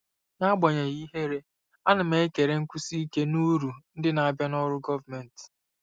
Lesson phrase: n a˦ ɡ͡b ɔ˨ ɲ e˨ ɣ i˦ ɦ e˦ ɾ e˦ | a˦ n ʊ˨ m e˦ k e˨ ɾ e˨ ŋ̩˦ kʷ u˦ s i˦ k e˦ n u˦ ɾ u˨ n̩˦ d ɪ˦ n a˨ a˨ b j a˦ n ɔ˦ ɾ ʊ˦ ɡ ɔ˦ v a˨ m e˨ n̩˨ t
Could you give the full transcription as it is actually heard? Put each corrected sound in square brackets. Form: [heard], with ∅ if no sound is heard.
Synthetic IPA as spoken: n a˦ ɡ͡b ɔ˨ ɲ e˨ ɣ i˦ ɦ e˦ ɾ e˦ | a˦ n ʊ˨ m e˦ k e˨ ɾ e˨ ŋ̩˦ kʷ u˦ s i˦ k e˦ n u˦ ɾ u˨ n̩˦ d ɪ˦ n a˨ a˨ b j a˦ n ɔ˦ ɾ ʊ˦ ɡ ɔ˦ v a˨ m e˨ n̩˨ t